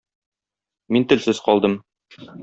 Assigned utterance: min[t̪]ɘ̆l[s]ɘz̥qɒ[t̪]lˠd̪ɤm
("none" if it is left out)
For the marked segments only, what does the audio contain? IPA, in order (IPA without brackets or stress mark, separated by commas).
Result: t̪, s, none